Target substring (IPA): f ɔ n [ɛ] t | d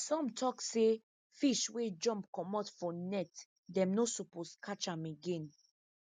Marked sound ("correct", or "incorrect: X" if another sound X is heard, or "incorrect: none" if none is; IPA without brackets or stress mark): correct